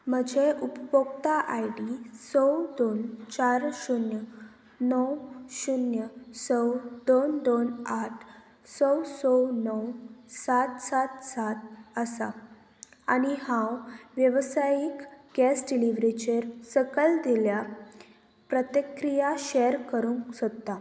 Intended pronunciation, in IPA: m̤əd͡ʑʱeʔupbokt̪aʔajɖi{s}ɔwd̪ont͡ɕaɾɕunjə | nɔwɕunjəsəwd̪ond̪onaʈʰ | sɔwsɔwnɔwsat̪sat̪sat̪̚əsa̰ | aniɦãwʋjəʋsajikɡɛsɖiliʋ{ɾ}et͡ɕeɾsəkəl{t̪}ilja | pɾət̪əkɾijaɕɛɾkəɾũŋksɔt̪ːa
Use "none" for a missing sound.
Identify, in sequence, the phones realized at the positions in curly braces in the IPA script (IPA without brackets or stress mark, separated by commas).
s, ɾ, d̪